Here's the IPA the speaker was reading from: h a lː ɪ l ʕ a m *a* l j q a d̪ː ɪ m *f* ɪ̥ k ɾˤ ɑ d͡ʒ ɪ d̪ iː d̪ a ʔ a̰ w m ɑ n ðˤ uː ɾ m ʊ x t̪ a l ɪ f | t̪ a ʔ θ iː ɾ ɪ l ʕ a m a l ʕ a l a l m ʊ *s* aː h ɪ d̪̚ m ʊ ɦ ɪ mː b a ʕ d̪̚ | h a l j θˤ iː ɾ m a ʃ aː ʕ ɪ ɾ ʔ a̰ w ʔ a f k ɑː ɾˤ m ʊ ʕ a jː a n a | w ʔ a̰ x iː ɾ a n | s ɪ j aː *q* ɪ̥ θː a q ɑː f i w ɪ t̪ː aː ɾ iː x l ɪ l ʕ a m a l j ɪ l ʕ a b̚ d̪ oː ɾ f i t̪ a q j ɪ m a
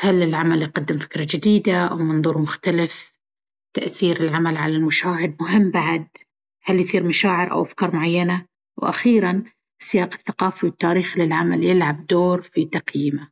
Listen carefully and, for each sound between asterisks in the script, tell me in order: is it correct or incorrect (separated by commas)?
correct, correct, incorrect, correct